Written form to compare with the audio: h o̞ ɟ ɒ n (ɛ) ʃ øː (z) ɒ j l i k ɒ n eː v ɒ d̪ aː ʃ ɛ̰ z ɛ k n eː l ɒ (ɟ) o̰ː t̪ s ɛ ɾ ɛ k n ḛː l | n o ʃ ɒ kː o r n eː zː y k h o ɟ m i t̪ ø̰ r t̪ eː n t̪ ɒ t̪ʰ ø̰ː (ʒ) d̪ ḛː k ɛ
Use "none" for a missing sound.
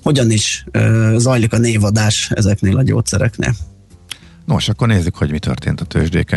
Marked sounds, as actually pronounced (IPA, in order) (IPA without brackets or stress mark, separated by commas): i, z, ɟ, ʒ